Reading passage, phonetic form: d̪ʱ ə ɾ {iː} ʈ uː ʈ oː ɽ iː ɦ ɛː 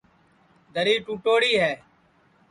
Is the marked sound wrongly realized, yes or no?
no